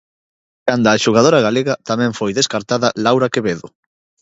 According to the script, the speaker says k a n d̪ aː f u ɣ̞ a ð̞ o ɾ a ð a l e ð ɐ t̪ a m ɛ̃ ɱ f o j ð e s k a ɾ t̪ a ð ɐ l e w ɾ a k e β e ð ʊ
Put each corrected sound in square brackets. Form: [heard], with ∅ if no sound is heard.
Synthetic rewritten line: k a n d̪ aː [ʃ] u ɣ̞ a ð̞ o ɾ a [ɣ] a l e [ɣ] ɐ t̪ a m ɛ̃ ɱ f o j ð e s k a ɾ t̪ a ð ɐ l [a] w ɾ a k e β e ð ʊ